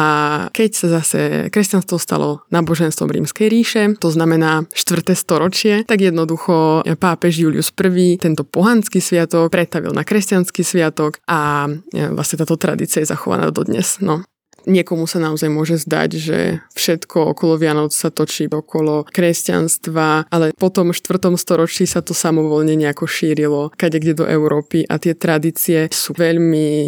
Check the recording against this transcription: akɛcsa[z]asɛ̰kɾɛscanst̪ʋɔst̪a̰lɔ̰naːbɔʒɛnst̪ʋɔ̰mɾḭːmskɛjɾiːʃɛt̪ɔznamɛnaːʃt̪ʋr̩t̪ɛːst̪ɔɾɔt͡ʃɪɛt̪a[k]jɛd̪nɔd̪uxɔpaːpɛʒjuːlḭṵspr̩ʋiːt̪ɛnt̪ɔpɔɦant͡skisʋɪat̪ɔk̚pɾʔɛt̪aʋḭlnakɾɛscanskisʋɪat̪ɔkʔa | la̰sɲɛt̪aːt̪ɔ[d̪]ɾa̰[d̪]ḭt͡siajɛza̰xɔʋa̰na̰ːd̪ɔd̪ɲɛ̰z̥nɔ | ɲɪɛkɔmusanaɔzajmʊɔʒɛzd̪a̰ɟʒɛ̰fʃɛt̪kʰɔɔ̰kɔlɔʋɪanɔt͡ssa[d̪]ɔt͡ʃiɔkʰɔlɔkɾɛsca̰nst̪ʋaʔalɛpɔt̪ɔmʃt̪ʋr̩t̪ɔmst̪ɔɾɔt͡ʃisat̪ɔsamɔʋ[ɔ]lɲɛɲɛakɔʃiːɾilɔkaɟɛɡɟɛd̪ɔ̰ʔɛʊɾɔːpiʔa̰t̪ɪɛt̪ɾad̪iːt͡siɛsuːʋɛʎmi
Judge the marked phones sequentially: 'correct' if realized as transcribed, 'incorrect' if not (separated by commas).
correct, incorrect, incorrect, correct, incorrect, correct